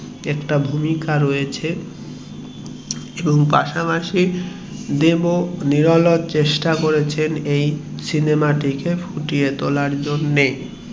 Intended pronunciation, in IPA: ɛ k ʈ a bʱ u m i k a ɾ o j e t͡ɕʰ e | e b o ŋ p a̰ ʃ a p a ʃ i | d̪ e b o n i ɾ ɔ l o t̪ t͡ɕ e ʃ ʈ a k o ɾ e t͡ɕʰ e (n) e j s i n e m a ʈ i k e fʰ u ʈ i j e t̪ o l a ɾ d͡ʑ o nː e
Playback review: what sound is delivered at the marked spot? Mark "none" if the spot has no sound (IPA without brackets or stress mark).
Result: n